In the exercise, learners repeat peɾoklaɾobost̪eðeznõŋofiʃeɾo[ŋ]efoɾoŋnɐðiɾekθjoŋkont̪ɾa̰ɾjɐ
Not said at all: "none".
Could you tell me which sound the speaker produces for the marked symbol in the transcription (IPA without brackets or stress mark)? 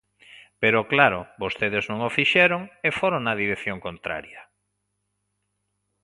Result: ŋ